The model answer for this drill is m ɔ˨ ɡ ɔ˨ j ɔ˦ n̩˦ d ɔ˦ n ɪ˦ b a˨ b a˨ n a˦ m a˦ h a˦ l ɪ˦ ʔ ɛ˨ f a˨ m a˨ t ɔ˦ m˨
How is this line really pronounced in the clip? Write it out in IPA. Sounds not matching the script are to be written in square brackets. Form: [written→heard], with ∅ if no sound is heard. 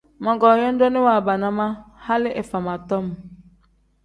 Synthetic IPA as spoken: m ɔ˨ ɡ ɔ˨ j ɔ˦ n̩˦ d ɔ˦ n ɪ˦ [b→w] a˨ b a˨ n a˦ m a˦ h a˦ l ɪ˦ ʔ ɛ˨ f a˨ m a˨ t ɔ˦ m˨